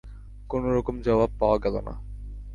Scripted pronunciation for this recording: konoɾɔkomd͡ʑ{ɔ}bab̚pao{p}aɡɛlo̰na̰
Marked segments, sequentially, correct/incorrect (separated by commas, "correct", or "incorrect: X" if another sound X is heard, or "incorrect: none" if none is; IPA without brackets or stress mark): correct, incorrect: none